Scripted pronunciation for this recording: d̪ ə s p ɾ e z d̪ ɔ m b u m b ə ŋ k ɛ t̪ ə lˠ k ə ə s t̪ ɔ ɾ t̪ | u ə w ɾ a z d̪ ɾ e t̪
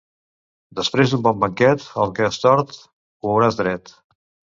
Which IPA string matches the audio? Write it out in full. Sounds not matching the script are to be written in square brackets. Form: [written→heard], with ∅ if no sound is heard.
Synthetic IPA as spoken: d̪ ə s p ɾ e z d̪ [ɔ→u] m b [u→ɔ] m b ə ŋ k ɛ t̪ ə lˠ k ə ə s t̪ ɔ ɾ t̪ | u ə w ɾ a z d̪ ɾ [e→ɛ] t̪